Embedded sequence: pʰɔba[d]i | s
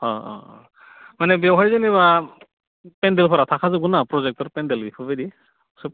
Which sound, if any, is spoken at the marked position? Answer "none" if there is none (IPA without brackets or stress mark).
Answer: d